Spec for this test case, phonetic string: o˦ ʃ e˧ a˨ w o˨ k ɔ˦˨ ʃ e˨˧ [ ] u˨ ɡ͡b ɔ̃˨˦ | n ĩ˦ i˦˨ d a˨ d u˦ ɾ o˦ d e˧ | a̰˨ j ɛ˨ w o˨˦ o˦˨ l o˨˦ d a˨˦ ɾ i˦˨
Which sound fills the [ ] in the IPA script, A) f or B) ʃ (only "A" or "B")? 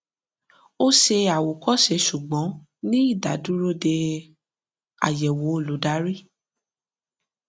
B